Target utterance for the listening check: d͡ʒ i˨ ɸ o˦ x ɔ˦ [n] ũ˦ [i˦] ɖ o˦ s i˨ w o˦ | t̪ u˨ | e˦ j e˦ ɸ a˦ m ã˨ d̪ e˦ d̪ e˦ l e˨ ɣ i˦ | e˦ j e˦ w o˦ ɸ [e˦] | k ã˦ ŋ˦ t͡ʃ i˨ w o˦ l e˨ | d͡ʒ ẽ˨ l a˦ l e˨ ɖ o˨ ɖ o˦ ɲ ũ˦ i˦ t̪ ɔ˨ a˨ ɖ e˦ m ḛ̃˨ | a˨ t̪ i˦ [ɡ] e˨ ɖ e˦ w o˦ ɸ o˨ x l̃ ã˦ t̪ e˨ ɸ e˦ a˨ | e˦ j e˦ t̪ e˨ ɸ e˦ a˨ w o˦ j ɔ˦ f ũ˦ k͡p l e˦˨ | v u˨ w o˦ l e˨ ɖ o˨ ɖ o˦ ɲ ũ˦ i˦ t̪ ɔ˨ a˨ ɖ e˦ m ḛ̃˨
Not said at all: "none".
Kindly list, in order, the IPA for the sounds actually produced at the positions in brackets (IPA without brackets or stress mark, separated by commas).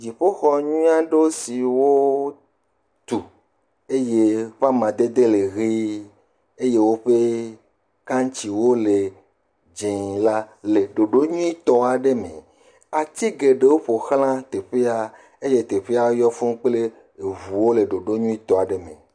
ɲ, a˦, e˦, ɡ